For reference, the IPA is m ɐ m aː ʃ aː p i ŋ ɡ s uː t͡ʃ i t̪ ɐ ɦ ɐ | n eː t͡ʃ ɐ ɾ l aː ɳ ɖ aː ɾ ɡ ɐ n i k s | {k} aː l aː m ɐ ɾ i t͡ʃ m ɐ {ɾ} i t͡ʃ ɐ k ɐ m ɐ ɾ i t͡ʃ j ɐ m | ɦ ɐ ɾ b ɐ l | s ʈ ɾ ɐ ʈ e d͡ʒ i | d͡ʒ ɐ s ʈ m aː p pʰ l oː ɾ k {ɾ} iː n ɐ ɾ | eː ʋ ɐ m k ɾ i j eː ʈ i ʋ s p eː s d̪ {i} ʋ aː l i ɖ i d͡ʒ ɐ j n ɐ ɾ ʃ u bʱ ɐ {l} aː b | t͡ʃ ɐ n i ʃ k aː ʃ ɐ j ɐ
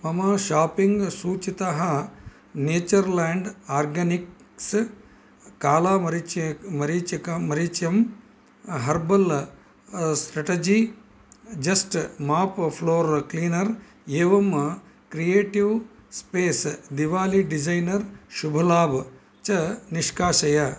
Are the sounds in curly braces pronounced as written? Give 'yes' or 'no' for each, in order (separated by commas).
yes, yes, no, yes, yes